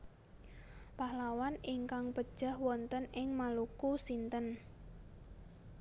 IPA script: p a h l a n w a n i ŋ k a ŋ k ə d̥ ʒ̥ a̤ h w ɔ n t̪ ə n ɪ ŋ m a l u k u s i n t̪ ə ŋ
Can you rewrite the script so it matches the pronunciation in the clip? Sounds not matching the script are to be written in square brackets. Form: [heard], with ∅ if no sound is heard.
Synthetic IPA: p a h l a [∅] w a n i ŋ k a ŋ [p] ə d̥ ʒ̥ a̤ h w ɔ n t̪ ə n ɪ ŋ m a l u k u s i n t̪ ə [n]